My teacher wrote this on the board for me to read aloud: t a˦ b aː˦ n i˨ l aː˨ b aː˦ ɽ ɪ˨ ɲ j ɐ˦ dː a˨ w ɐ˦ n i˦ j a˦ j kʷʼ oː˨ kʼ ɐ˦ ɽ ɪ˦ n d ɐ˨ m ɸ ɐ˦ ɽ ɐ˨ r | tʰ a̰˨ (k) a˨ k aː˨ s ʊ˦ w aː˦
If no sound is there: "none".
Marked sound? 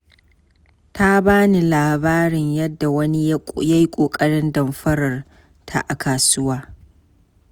ʔ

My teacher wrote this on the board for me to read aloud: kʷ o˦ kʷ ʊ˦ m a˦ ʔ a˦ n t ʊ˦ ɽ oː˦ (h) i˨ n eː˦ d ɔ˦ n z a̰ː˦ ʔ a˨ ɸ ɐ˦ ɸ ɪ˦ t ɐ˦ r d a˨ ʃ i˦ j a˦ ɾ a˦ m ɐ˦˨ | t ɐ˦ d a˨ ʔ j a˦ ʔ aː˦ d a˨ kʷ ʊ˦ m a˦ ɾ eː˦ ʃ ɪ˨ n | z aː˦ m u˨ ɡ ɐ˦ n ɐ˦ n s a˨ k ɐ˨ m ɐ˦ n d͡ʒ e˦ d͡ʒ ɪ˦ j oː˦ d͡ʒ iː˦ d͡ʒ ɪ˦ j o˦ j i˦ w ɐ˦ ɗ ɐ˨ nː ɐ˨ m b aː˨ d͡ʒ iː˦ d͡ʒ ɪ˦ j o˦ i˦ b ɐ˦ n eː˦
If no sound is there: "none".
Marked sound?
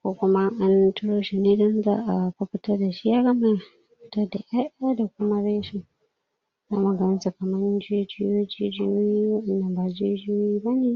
ʃ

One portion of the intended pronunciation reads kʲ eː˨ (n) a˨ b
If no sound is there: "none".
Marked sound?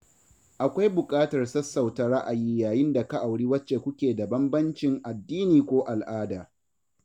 d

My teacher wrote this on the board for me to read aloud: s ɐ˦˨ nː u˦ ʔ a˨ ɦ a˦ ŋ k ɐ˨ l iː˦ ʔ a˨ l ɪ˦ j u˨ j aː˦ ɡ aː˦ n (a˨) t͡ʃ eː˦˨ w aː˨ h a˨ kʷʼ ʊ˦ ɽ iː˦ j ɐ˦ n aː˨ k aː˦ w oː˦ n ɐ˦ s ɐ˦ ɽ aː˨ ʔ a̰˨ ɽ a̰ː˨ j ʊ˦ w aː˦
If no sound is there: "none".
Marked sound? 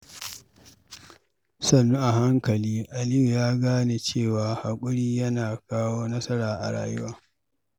e˨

